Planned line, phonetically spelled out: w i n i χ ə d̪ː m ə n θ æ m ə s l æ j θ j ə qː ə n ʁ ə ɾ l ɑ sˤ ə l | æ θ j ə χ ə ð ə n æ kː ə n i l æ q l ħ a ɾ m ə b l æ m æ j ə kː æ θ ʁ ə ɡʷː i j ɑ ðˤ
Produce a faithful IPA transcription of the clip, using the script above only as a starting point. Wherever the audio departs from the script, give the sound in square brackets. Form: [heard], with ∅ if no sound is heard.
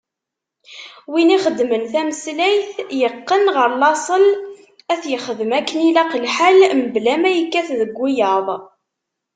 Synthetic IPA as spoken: w i n i χ ə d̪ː m ə n θ æ m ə s l æ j θ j ə qː ə n ʁ ə ɾ l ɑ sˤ ə l | æ θ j ə χ ə ð ə [m] æ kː ə n i l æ q l ħ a [l] m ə b l æ m æ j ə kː æ θ [ð] ə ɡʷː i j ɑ ðˤ

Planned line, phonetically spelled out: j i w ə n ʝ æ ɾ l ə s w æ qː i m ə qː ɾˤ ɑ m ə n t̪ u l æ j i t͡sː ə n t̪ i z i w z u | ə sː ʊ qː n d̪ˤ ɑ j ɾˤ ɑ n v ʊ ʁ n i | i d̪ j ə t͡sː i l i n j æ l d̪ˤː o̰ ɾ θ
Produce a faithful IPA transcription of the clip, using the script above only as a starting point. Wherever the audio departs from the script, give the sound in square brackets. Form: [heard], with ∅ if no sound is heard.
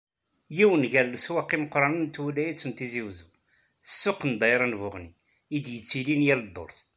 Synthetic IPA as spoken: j i w ə n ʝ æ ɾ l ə s w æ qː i m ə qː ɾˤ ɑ [n] ə n t̪ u l æ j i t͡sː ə n t̪ i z i w z u | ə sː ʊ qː n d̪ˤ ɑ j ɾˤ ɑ n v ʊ ʁ n i | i d̪ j ə t͡sː i l i n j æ l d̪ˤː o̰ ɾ θ

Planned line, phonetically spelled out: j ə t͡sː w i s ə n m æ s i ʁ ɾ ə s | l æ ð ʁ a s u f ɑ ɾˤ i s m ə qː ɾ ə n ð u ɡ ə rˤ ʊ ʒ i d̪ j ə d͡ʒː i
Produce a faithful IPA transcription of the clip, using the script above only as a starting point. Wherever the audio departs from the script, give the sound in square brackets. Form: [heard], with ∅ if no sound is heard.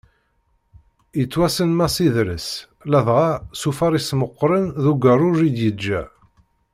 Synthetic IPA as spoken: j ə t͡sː w [æ] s ə n m æ s i [ð] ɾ ə s | l æ ð ʁ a s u f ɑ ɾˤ i s m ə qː ɾ ə n ð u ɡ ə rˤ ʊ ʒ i d̪ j ə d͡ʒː [æ]

